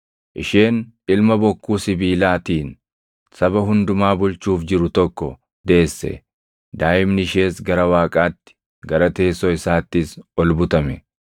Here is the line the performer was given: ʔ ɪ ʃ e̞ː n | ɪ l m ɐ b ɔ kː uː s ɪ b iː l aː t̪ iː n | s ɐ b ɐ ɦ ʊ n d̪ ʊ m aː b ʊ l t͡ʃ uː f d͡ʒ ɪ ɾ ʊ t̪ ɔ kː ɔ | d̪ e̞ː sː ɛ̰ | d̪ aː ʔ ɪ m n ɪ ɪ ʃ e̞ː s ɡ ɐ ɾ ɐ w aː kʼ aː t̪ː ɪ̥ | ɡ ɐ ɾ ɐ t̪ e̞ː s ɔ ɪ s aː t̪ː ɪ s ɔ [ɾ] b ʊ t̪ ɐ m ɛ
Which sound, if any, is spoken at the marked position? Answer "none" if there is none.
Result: l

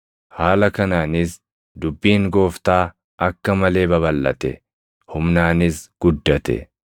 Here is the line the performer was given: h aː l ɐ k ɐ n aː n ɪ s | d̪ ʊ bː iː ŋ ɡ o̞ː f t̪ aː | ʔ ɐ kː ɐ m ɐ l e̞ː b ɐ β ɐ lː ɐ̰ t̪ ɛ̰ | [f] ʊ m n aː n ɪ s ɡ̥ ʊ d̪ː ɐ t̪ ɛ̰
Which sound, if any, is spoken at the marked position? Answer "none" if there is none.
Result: h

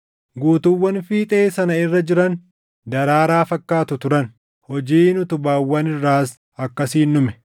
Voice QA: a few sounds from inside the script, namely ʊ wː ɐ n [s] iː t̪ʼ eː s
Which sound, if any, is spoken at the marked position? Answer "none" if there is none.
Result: f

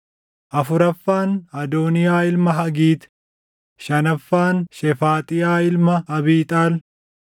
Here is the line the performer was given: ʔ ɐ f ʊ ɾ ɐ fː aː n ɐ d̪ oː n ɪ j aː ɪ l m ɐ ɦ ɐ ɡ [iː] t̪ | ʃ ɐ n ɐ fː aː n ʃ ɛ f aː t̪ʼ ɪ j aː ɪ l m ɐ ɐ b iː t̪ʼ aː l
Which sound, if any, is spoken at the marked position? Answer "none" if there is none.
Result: iː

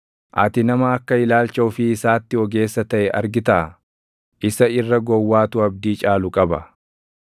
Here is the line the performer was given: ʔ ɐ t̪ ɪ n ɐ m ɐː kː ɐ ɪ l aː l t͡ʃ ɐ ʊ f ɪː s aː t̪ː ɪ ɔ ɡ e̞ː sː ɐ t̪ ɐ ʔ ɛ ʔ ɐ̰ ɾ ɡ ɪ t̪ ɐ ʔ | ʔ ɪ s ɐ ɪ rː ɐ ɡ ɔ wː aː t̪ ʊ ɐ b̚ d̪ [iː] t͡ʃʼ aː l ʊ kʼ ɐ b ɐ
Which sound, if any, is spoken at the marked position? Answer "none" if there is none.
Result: iː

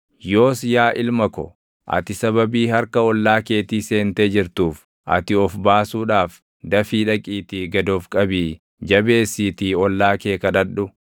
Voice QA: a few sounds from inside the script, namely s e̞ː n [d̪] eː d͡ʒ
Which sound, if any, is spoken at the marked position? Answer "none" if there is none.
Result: t̪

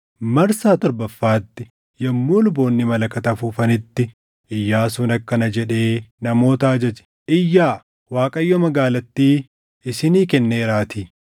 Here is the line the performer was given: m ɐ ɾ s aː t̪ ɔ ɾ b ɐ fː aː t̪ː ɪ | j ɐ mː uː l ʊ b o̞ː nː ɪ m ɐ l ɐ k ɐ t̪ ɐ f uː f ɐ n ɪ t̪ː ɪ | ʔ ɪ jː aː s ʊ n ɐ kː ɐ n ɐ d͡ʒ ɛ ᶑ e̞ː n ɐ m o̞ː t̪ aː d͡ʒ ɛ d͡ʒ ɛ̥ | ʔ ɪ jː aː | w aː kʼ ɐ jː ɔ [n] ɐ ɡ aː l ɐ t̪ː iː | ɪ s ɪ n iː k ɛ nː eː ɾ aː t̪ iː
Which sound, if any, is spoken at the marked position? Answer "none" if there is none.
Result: m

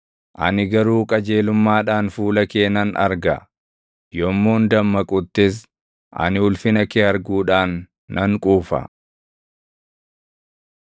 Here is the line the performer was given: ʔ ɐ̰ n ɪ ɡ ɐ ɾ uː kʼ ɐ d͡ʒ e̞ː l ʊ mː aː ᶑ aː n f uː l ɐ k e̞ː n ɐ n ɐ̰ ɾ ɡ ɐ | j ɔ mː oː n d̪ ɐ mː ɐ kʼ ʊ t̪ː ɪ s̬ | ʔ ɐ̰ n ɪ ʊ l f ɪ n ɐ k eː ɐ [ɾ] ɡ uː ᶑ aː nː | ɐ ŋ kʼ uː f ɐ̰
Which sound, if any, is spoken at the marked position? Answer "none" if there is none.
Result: ɾ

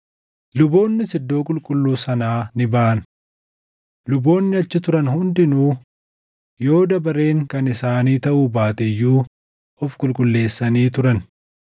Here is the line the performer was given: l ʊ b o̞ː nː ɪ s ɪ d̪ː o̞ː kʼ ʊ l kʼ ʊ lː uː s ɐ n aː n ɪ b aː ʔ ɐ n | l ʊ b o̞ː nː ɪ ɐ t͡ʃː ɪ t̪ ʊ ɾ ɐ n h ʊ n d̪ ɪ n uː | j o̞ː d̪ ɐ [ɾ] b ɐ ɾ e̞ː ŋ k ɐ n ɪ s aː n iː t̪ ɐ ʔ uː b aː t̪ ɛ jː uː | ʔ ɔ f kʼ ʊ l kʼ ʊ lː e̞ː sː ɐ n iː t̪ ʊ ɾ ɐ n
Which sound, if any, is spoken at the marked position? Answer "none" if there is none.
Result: none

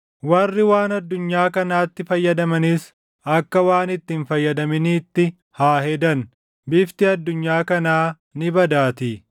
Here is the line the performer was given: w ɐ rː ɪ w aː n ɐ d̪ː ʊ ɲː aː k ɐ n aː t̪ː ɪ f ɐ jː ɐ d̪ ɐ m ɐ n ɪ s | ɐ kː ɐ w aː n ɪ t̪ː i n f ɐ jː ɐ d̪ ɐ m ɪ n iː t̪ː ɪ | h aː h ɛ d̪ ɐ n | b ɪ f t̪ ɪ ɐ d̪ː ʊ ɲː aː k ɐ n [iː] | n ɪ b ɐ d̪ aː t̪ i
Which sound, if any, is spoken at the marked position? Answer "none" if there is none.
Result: aː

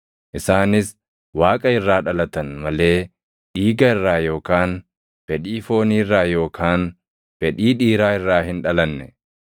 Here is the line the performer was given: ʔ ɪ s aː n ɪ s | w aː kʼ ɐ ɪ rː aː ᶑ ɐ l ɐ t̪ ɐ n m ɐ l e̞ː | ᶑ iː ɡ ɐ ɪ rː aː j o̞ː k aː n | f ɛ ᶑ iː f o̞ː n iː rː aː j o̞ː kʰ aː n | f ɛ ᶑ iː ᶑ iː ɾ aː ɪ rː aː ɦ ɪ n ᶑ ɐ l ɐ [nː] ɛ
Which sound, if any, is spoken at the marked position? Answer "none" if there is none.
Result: nː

